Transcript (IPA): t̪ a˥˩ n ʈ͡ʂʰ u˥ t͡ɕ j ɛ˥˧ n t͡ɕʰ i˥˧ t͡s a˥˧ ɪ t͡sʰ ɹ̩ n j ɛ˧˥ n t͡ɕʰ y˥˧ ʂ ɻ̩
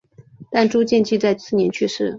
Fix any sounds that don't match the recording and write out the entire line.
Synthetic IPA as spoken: t̪ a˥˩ n ʈ͡ʂ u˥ t͡ɕ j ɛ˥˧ n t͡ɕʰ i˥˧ t͡s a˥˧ ɪ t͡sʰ ɹ̩ n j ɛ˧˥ n t͡ɕʰ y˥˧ ʂ ɻ̩